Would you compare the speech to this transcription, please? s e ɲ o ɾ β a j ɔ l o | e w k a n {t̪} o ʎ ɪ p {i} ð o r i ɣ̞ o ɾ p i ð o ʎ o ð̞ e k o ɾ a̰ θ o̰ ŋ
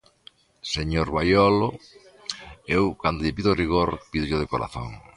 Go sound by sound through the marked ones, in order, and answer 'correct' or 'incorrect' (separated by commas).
incorrect, correct